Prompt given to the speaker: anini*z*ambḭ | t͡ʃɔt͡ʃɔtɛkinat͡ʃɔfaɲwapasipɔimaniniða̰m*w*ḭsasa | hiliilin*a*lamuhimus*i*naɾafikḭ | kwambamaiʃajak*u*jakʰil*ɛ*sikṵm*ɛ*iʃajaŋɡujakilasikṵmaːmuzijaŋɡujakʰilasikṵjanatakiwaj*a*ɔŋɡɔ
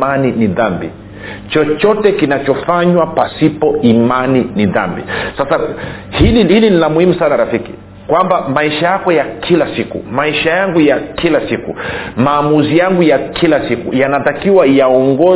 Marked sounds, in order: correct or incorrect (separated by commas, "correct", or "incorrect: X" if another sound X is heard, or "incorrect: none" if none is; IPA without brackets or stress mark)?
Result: incorrect: ð, incorrect: b, incorrect: i, incorrect: a, incorrect: ɔ, incorrect: a, incorrect: a, correct